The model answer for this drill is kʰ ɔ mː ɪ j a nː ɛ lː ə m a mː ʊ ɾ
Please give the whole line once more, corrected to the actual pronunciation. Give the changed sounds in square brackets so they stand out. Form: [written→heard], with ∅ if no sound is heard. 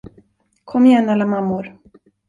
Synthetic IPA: kʰ ɔ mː ɪ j [a→ɛ] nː [ɛ→a] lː [ə→a] m a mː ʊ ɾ